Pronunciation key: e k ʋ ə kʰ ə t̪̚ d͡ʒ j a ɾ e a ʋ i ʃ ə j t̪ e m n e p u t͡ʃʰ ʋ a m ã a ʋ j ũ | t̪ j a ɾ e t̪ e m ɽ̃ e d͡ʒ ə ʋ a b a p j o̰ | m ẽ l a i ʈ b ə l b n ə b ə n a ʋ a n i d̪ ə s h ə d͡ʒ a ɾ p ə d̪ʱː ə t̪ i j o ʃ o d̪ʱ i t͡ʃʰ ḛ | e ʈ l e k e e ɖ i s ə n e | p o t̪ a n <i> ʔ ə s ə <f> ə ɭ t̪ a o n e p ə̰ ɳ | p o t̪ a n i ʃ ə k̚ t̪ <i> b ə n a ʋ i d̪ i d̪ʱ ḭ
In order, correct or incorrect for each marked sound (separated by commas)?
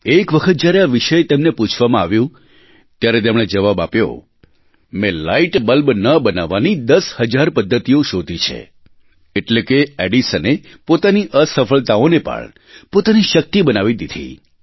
correct, correct, correct